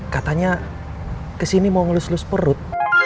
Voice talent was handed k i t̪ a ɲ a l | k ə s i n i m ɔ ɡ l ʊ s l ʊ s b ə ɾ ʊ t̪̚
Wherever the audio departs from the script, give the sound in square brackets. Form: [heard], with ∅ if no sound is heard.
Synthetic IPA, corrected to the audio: k [a] t̪ a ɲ a [∅] | k ə s i n i m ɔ [ŋ] l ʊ s l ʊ s [p] ə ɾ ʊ t̪̚